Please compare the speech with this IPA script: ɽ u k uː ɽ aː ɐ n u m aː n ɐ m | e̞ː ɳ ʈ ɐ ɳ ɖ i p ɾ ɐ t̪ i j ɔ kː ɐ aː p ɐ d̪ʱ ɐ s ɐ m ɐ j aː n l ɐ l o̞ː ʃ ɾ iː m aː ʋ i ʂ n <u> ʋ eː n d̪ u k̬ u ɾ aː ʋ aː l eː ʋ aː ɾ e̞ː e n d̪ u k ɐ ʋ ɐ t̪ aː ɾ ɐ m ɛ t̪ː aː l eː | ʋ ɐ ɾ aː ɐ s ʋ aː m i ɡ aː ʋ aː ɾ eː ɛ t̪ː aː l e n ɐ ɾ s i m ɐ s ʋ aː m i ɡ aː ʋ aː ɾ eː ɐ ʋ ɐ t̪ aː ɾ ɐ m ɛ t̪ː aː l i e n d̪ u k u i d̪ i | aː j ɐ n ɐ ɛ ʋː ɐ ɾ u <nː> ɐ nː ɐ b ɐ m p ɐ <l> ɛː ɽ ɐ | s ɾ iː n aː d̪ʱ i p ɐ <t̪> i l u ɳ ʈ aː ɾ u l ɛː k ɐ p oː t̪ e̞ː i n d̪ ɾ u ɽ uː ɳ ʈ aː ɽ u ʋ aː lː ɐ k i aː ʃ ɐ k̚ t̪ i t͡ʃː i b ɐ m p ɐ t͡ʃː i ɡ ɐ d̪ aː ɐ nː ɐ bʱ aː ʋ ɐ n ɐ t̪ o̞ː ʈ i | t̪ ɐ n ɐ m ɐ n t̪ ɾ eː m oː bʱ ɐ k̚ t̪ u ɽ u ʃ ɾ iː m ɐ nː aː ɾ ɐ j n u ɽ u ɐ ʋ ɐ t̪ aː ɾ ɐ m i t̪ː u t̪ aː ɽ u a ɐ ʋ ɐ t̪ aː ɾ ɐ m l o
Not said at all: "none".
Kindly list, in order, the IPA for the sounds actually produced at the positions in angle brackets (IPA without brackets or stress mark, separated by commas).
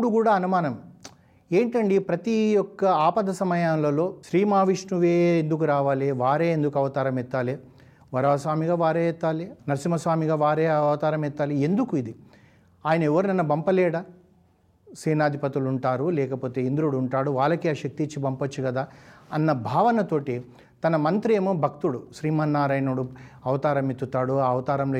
u, n, l, t̪